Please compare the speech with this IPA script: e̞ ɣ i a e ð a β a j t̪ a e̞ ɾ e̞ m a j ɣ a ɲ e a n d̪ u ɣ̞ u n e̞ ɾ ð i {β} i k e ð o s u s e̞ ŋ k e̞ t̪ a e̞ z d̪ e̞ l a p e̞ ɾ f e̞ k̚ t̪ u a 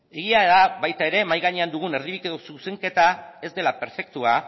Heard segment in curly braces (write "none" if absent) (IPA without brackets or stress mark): β